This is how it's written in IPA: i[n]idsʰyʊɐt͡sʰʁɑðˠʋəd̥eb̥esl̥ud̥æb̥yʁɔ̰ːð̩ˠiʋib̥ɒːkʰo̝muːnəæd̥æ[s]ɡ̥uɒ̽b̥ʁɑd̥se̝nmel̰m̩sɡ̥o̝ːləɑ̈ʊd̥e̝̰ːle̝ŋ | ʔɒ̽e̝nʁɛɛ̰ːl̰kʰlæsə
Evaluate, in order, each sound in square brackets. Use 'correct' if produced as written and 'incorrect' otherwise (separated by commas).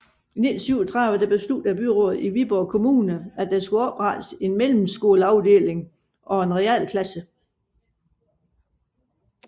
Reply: correct, correct